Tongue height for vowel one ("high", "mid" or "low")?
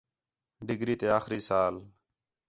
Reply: high